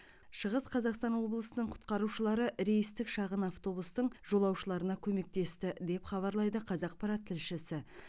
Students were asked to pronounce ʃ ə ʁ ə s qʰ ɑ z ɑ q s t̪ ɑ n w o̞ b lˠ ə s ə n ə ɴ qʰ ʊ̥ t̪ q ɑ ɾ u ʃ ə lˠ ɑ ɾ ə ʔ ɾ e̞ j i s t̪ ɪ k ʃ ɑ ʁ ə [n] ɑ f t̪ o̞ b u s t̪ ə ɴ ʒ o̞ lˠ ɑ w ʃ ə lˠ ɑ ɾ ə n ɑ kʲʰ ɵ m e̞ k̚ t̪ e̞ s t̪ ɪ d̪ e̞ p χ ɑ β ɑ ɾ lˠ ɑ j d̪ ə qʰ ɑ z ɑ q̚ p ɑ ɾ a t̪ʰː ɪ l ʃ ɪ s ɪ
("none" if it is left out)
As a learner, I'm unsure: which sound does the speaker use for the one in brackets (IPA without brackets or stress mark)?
n